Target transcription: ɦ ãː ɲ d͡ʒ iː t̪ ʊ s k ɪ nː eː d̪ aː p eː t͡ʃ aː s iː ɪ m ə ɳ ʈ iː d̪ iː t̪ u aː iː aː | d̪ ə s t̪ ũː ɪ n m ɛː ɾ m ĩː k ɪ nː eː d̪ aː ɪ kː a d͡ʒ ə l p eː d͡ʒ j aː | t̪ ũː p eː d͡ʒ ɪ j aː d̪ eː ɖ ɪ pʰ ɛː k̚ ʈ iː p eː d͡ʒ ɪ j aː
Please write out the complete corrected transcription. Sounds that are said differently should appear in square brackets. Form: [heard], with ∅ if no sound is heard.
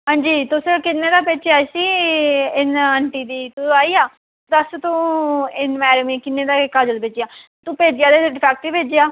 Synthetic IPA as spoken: ɦ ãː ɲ d͡ʒ iː t̪ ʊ s k ɪ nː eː d̪ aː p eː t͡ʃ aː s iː ɪ [n] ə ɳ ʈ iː d̪ iː t̪ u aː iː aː | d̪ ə s t̪ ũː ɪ n m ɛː ɾ m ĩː k ɪ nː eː d̪ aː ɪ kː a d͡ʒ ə l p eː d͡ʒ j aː | t̪ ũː p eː d͡ʒ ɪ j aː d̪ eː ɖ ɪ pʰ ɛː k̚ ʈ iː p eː d͡ʒ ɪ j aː